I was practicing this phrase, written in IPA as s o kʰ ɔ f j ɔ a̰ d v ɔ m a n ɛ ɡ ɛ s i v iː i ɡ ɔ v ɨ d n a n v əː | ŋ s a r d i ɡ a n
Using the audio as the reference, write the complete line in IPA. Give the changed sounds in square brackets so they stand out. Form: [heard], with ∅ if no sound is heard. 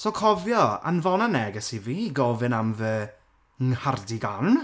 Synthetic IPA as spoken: s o kʰ ɔ [v] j ɔ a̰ [n] v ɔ [n] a n ɛ ɡ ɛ s i v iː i ɡ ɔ v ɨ [∅] n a [m] v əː | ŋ [h] a r d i ɡ a n